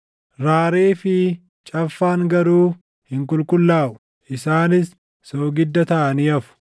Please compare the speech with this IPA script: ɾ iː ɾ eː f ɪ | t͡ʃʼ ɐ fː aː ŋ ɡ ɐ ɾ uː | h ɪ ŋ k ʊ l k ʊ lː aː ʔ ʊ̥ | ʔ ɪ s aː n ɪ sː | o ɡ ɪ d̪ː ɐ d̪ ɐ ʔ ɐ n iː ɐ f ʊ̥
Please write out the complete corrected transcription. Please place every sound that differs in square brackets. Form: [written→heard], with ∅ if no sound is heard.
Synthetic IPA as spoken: ɾ [iː→aː] ɾ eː f ɪ | t͡ʃʼ ɐ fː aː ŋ ɡ ɐ ɾ uː | h ɪ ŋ k ʊ l k ʊ lː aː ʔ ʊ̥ | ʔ ɪ s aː n ɪ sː | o ɡ ɪ d̪ː ɐ [d̪→t̪] ɐ ʔ ɐ n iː ɐ f ʊ̥